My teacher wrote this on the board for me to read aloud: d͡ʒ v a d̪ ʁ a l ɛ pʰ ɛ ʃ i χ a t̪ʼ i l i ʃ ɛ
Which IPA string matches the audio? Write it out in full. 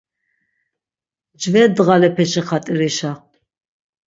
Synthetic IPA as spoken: d͡ʒ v ɛ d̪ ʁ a l ɛ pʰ ɛ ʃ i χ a t̪ʼ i ɾ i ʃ a